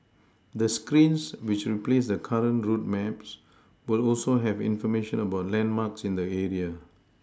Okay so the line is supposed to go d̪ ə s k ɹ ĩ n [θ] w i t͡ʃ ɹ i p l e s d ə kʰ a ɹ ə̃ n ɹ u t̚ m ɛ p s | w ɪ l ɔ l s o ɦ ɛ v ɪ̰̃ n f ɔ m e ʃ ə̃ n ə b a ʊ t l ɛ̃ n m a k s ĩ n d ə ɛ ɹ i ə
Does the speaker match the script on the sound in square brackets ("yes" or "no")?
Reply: no